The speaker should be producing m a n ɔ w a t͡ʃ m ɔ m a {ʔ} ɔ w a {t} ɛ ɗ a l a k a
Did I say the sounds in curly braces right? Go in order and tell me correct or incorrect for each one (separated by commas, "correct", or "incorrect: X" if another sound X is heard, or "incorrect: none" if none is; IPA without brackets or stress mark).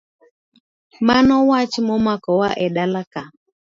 incorrect: k, incorrect: ʔ